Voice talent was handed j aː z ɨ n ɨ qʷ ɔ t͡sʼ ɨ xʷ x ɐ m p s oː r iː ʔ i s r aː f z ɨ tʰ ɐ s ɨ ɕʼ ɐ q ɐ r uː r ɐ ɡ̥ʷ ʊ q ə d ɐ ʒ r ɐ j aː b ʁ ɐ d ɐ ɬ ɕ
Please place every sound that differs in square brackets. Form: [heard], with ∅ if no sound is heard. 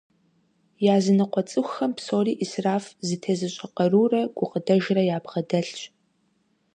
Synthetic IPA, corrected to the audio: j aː z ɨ n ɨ qʷ ɔ t͡sʼ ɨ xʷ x ɐ m p s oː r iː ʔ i s r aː f z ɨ tʰ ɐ [z] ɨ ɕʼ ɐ q ɐ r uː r ɐ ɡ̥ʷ ʊ q ə d ɐ ʒ r ɐ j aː b ʁ ɐ d ɐ ɬ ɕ